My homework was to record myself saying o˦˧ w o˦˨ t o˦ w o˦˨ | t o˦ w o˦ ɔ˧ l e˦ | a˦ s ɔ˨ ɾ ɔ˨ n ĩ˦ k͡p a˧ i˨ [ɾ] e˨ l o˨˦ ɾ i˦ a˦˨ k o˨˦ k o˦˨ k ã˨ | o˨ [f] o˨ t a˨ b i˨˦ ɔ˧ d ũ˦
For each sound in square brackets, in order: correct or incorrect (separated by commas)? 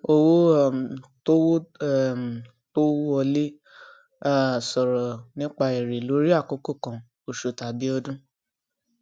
correct, incorrect